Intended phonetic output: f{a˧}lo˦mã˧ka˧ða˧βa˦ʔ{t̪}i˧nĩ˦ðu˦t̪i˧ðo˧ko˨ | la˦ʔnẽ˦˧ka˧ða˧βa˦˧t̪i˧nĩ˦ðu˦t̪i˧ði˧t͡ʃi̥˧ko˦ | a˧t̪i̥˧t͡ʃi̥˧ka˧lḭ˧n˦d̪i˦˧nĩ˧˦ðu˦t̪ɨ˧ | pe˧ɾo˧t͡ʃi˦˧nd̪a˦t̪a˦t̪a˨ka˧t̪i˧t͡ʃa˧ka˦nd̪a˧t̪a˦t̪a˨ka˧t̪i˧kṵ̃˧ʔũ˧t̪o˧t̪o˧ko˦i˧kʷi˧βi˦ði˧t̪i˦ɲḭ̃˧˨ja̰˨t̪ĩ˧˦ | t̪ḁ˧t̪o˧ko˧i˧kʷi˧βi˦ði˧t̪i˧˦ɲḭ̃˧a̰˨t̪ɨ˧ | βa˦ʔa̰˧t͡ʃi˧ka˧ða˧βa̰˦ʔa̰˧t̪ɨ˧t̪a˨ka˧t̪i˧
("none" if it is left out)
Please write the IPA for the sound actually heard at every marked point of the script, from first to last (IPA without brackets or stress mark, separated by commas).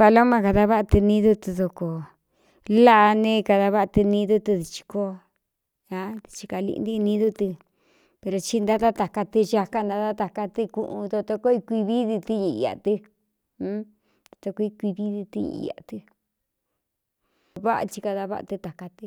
a˧, t̪